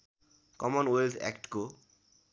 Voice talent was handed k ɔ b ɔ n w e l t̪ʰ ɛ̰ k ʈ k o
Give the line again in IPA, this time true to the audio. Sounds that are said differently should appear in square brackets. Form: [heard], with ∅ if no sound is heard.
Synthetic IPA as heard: k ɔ [m] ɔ n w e l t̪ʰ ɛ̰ k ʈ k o